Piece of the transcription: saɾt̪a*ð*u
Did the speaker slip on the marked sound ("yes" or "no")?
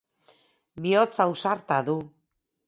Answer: no